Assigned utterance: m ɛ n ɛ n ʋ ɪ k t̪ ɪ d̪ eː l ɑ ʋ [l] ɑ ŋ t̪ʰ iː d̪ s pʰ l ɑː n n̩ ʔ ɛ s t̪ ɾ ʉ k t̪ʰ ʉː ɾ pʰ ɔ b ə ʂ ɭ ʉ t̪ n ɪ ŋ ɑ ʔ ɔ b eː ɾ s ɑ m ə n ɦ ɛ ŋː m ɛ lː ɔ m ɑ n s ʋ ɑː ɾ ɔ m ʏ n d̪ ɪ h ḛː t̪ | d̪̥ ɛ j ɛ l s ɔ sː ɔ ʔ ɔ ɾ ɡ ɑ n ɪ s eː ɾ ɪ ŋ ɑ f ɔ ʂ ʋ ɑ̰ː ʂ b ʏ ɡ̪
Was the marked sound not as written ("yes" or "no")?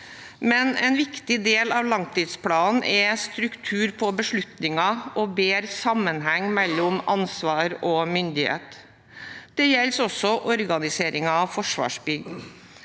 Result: no